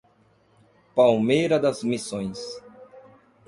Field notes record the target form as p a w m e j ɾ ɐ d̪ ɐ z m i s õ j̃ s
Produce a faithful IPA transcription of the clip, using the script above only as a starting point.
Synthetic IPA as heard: p a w m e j ɾ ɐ d̪ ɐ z m i s õ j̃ s